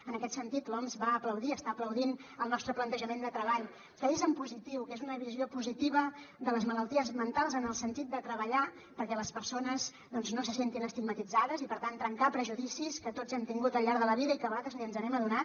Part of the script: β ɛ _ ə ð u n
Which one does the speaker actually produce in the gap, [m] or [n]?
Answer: m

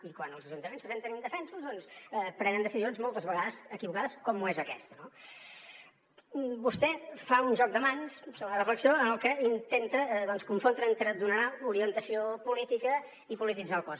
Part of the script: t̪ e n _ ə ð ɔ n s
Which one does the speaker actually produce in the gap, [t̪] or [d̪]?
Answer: t̪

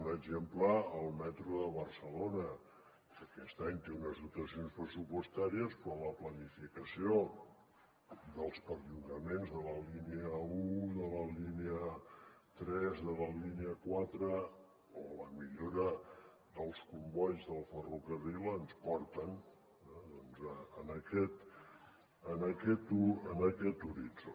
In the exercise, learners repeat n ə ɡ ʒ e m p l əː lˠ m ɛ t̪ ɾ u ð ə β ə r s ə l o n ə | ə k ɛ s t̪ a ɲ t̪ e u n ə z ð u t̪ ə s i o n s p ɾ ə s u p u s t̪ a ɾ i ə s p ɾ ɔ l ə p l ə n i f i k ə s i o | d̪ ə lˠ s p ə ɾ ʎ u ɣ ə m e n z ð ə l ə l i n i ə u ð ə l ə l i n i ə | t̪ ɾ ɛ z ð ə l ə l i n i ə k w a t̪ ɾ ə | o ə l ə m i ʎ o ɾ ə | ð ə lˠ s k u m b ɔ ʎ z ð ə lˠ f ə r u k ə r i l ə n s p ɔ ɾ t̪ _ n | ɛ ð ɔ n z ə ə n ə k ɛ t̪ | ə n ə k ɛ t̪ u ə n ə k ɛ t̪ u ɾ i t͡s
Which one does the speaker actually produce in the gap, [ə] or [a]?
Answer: ə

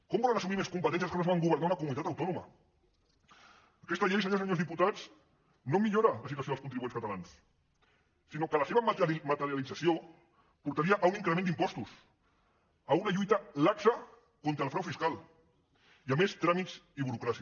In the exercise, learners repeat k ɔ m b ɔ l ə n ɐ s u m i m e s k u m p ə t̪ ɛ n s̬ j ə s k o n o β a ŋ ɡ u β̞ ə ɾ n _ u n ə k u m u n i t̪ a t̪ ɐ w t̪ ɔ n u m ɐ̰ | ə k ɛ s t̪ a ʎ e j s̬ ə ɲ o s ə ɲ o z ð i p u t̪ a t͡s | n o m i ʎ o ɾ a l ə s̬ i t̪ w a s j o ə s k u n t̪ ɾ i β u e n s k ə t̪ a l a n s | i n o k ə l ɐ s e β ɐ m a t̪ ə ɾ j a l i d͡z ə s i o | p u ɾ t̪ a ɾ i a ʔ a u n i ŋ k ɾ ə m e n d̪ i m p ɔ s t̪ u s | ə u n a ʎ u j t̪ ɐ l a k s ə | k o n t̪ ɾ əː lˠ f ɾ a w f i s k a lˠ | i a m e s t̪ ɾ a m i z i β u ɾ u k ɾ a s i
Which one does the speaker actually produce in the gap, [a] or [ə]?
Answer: a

